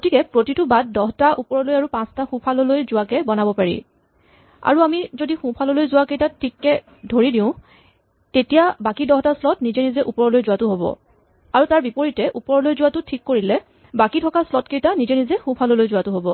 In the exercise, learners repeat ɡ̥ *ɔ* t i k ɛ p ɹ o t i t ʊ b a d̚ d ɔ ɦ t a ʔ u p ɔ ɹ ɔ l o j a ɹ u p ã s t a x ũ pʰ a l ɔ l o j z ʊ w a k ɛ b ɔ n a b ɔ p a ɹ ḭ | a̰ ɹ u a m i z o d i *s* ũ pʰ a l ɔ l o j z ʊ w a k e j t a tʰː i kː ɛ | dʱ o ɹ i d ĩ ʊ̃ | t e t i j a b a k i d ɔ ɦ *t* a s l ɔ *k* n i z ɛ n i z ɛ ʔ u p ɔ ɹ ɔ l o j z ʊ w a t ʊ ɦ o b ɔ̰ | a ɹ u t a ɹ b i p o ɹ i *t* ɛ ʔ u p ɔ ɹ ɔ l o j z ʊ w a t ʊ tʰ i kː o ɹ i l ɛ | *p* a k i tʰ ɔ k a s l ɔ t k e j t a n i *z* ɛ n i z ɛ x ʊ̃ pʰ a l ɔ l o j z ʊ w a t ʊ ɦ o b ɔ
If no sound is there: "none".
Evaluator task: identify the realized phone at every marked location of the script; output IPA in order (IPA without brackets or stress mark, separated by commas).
o, x, t, t, t, b, z